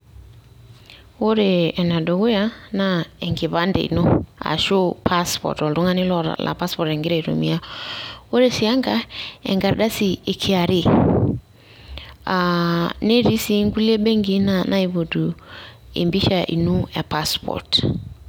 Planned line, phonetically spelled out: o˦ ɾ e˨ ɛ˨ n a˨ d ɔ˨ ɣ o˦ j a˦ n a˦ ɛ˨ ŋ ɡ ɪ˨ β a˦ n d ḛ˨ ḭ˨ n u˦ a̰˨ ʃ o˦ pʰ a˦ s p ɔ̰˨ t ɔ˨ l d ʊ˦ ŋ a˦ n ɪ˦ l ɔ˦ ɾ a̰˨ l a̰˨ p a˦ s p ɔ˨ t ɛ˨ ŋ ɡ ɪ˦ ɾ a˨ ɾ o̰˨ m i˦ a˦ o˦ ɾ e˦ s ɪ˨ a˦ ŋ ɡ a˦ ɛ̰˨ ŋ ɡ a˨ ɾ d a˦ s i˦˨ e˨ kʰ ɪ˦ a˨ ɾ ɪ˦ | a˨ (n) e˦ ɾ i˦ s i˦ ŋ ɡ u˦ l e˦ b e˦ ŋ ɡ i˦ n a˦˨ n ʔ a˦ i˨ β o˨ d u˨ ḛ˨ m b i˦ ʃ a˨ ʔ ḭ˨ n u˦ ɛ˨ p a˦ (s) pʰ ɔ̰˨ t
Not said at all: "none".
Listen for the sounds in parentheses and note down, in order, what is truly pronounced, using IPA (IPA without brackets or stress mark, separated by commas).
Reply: n, s